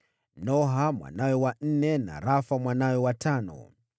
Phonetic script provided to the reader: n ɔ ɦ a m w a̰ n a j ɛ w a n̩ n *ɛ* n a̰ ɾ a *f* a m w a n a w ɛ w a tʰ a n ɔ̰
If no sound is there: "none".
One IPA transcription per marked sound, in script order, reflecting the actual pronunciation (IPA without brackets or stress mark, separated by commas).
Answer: ɛ, f